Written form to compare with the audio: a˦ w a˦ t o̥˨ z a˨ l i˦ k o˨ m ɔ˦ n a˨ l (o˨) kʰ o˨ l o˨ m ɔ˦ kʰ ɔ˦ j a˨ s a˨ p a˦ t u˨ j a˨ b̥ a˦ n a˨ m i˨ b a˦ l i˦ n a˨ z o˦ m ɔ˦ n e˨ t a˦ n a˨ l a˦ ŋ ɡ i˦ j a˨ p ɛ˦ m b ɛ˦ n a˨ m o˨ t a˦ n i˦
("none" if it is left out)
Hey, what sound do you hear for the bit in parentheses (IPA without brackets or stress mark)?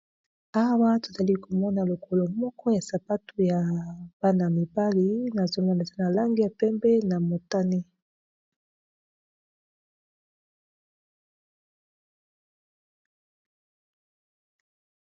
o˨